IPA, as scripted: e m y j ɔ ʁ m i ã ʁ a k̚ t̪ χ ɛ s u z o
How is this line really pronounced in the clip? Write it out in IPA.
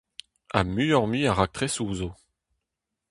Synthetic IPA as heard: a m y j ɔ ʁ m i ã ʁ a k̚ t̪ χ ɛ s u z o